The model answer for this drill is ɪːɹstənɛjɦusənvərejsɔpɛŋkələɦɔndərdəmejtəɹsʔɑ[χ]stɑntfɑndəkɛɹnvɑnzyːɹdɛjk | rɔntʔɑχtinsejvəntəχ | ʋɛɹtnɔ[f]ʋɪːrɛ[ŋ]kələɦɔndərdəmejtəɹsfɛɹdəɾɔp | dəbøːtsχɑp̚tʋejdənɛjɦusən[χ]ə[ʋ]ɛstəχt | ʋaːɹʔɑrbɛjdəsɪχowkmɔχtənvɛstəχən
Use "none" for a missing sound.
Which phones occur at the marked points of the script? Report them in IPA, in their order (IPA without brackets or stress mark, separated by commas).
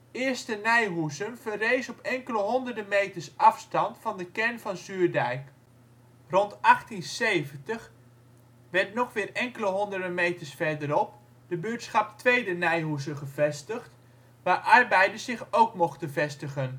f, χ, ŋ, χ, v